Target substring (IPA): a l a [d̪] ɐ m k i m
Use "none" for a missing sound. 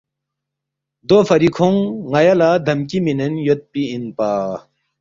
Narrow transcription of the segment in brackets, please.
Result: d̪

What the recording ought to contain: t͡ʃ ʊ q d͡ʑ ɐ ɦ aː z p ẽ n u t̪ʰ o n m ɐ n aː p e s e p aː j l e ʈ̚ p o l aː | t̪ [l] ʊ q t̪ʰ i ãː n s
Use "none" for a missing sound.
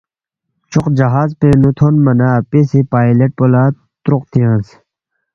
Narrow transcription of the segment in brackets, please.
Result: ɾ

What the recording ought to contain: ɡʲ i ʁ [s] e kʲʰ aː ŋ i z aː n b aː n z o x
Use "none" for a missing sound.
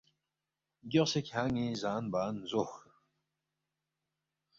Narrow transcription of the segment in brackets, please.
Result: s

